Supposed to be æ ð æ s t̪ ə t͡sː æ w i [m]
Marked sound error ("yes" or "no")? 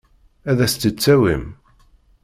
no